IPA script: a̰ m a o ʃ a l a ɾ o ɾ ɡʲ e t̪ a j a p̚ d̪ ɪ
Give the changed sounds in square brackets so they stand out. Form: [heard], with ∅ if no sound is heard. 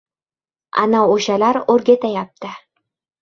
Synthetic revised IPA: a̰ [n] a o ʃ a l a ɾ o ɾ ɡʲ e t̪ a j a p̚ [t̪] ɪ